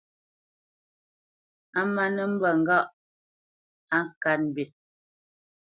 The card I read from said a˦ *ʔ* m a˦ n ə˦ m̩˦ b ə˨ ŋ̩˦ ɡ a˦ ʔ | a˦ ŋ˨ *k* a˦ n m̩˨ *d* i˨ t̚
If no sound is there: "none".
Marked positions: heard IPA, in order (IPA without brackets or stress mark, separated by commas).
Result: none, k, b